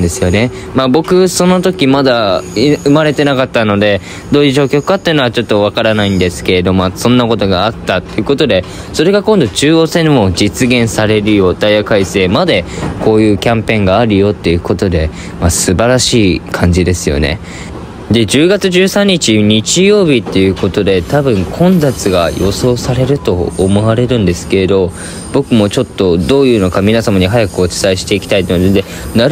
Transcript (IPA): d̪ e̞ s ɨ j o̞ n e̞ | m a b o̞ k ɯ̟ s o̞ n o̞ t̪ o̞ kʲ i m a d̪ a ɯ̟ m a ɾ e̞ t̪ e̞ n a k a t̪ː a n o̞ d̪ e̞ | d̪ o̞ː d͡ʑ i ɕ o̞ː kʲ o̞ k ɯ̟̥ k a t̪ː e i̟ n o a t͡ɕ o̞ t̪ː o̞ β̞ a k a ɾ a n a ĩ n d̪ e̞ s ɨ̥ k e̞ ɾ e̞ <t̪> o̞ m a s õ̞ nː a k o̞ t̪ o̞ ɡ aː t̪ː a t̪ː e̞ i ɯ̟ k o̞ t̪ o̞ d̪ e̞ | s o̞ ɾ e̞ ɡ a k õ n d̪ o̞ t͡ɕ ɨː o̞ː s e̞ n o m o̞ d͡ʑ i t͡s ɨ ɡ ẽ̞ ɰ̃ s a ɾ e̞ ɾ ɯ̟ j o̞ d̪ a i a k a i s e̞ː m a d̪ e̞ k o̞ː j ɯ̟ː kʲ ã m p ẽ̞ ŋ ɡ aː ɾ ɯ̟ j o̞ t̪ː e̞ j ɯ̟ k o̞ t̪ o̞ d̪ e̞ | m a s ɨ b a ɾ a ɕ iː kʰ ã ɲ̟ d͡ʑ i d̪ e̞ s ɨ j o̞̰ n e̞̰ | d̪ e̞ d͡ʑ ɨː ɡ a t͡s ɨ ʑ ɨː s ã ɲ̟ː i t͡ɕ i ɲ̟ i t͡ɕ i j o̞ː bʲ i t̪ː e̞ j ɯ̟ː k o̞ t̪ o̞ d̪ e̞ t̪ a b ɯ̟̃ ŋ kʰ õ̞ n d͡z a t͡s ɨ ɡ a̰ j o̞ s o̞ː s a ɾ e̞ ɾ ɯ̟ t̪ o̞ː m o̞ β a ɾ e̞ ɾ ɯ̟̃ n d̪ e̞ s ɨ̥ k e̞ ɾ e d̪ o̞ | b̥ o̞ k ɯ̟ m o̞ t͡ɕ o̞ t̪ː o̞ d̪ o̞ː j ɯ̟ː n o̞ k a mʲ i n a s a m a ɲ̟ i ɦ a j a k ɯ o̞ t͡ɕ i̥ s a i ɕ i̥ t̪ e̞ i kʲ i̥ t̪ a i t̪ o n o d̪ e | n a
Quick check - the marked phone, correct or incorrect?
incorrect